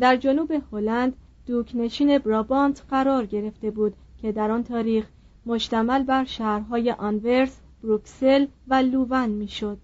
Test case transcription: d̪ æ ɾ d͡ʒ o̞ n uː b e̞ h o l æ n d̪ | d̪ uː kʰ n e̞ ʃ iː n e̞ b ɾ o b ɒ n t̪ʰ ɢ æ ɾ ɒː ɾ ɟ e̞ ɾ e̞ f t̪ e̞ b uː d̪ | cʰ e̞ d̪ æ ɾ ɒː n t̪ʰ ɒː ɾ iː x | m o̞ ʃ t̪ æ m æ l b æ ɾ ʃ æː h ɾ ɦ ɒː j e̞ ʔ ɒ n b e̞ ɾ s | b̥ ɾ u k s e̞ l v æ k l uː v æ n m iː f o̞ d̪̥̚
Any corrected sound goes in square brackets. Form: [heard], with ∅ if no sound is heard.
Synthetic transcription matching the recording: d̪ æ ɾ d͡ʒ o̞ n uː b e̞ h o l æ n d̪ | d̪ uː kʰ n e̞ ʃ iː n e̞ b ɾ [ɒ] b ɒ n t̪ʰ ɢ æ ɾ ɒː ɾ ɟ e̞ ɾ e̞ f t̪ e̞ b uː d̪ | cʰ e̞ d̪ æ ɾ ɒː n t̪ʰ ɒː ɾ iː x | m o̞ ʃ t̪ æ m æ l b æ ɾ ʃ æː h ɾ ɦ ɒː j e̞ ʔ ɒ n [v] e̞ ɾ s | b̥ ɾ u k s e̞ l v æ [∅] l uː v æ n m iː [ʃ] o̞ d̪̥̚